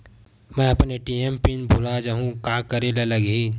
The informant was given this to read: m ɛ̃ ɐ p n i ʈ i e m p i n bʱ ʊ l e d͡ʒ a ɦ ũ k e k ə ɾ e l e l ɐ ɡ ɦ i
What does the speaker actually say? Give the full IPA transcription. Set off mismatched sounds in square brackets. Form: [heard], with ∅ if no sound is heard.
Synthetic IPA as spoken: m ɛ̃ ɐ p n [e] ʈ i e m p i n bʱ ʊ l [a] d͡ʒ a ɦ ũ k [a] k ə ɾ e l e l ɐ ɡ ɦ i